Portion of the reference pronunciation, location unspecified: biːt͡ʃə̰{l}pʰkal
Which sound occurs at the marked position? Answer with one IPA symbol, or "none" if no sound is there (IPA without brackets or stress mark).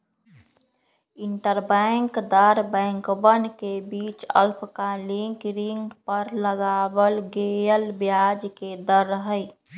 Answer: l